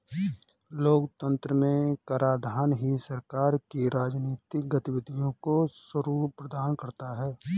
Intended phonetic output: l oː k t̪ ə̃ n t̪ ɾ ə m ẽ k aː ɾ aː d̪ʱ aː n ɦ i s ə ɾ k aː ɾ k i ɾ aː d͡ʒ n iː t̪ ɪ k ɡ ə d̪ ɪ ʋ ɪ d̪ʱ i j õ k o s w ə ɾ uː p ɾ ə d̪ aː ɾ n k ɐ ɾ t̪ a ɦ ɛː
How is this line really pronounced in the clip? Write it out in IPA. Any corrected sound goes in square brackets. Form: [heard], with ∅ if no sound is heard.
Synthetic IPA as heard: l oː k t̪ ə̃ n t̪ ɾ ə m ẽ k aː ɾ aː d̪ʱ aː n ɦ i s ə ɾ k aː ɾ k i ɾ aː d͡ʒ n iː t̪ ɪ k ɡ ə [t̪] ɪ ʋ ɪ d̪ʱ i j õ k o s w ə ɾ uː p ɾ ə d̪ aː [∅] n k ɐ ɾ t̪ a ɦ ɛː

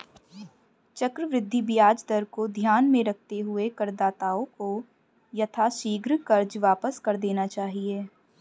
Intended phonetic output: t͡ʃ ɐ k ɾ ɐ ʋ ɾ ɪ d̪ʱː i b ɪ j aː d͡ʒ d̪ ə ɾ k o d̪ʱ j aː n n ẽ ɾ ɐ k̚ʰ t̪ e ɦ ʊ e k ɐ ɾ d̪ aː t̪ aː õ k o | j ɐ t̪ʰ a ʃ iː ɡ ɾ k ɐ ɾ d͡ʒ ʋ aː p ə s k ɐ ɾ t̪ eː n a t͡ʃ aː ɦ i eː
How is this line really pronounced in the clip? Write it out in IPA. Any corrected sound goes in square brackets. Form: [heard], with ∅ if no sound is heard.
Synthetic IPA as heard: t͡ʃ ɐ k ɾ [ə] ʋ ɾ ɪ d̪ʱː i b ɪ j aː d͡ʒ d̪ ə ɾ k o d̪ʱ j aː n [m] ẽ ɾ ɐ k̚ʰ t̪ e ɦ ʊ e k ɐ ɾ d̪ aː t̪ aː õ k o | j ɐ t̪ʰ a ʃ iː ɡ ɾ k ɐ ɾ d͡ʒ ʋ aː p ə s k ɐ ɾ [d̪] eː n a t͡ʃ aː ɦ i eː

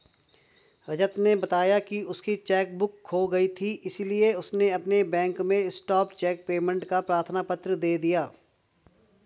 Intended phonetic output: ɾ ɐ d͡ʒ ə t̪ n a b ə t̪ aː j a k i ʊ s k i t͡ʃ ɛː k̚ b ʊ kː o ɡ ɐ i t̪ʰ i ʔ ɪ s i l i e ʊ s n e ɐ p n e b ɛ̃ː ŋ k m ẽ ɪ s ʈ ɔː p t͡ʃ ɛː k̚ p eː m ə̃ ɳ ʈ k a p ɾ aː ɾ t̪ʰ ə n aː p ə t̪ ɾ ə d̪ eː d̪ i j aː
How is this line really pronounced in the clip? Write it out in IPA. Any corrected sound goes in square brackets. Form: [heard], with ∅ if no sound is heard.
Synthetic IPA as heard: ɾ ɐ d͡ʒ ə t̪ n [e] b [ɐ] t̪ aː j a k i ʊ s k i t͡ʃ ɛː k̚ b ʊ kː o ɡ ɐ i t̪ʰ i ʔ ɪ s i l i e ʊ s n e ɐ p n e b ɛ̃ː ŋ k m ẽ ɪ s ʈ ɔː p t͡ʃ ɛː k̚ p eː m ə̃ ɳ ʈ k a p ɾ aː ɾ t̪ʰ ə n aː p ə t̪ ɾ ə d̪ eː d̪ i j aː

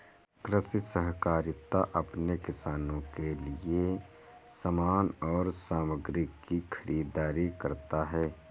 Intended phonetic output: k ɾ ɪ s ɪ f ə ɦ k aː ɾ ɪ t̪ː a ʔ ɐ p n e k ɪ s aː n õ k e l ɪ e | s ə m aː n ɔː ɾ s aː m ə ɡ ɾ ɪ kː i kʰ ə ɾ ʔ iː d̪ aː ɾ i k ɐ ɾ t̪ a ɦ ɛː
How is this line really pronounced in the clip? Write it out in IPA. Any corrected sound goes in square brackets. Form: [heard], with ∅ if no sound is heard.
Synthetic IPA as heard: k ɾ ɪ s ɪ [s] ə ɦ k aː ɾ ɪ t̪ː a ʔ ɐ p n e k ɪ s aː n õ k e l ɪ e | s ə m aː n ɔː ɾ s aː m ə ɡ ɾ ɪ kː i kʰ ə ɾ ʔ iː d̪ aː ɾ i k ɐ ɾ t̪ a ɦ ɛː

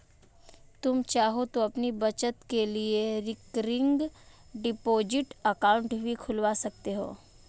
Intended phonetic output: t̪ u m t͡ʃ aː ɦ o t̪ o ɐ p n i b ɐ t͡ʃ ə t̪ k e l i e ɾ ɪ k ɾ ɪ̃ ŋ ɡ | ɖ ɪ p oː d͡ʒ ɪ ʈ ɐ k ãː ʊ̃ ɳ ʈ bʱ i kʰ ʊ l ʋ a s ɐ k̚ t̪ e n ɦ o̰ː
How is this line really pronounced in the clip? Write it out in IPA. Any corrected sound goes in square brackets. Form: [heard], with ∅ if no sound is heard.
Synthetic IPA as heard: t̪ [ʊ] m t͡ʃ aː ɦ o t̪ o ɐ p n i b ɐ t͡ʃ ə t̪ k e l i e ɾ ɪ k ɾ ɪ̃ ŋ ɡ | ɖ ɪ p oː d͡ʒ ɪ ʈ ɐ k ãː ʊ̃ ɳ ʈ bʱ i kʰ ʊ l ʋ a s ɐ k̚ t̪ e [∅] ɦ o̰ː

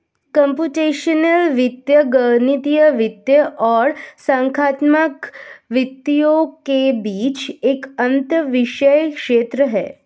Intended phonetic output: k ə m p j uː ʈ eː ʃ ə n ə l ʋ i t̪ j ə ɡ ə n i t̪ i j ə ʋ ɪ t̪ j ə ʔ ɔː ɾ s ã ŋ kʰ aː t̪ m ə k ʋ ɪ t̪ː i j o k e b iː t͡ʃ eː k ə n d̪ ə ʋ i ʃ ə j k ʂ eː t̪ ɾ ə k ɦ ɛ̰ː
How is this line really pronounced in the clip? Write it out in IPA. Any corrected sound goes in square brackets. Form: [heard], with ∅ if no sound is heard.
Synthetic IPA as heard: k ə m p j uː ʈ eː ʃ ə n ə l ʋ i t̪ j ə ɡ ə n i t̪ i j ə ʋ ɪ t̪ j ə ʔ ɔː ɾ s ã ŋ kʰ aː t̪ m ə k ʋ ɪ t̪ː i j o k e b iː t͡ʃ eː k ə n [t̪] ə ʋ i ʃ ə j k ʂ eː t̪ ɾ ə [∅] ɦ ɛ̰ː

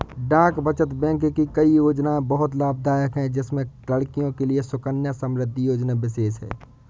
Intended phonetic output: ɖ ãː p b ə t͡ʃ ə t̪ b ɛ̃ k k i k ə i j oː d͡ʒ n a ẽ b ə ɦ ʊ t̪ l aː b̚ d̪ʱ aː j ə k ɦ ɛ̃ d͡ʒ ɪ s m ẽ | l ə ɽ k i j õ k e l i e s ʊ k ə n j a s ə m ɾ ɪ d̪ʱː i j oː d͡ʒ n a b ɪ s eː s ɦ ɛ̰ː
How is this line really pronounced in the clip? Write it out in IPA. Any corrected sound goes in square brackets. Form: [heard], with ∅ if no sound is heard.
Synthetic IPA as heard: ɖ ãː [k] b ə t͡ʃ ə t̪ b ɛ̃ k k i k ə i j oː d͡ʒ n a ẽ b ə ɦ ʊ t̪ l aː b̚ d̪ʱ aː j ə k ɦ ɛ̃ d͡ʒ ɪ s m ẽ | l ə ɽ k i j õ k e l i e s ʊ k ə n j a s ə m ɾ ɪ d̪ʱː i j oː d͡ʒ n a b ɪ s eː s ɦ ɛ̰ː

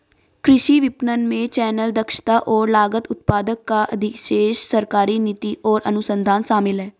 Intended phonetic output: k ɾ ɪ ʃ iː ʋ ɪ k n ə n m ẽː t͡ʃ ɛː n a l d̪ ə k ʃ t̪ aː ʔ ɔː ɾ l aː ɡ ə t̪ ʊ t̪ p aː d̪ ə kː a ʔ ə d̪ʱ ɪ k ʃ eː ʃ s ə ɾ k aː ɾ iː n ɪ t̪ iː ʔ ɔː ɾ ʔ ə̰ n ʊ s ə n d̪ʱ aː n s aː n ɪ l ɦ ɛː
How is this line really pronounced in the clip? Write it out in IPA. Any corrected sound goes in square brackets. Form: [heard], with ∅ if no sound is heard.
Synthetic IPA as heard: k ɾ ɪ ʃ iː ʋ ɪ [p] n ə n m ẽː t͡ʃ ɛː n [ə] l d̪ ə k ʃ t̪ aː ʔ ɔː ɾ l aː ɡ ə t̪ ʊ t̪ p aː d̪ ə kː a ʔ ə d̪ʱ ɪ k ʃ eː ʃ s ə ɾ k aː ɾ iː n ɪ t̪ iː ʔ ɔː ɾ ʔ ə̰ n ʊ s ə n d̪ʱ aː n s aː [m] ɪ l ɦ ɛː

